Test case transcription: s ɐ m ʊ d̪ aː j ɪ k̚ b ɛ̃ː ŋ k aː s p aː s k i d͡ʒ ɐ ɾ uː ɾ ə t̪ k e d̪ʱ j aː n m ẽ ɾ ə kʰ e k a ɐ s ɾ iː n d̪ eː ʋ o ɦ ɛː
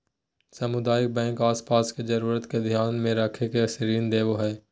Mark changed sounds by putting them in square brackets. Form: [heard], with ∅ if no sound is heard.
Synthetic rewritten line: s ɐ m ʊ d̪ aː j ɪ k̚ b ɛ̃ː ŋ k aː s p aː s k [e] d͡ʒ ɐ ɾ uː ɾ ə t̪ k e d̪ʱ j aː n m ẽ ɾ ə kʰ e k [e] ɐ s ɾ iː n d̪ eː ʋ o ɦ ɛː